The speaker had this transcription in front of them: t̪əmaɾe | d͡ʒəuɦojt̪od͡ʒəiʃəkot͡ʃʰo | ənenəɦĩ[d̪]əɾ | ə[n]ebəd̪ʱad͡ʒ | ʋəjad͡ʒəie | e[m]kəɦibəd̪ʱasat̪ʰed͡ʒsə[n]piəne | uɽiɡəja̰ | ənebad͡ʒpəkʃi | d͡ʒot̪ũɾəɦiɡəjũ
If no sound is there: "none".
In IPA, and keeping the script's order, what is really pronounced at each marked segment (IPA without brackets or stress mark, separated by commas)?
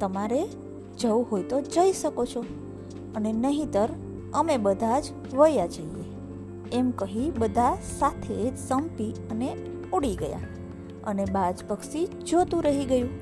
t̪, m, m, m